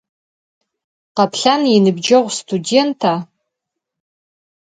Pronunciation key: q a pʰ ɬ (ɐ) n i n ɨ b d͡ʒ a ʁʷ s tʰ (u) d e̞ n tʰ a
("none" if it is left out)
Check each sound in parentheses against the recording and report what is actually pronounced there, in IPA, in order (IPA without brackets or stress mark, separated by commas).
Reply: a, u